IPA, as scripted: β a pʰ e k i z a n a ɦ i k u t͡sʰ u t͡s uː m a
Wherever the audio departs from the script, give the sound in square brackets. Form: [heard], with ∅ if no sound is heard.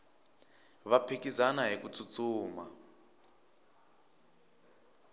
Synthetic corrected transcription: β a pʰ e k i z a n a ɦ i k u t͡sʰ u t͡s uː m a